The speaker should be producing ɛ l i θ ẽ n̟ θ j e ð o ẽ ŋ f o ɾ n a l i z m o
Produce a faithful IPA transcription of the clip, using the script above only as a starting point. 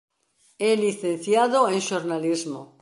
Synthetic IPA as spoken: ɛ l i θ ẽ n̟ θ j a ð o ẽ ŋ ʃ o ɾ n a l i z m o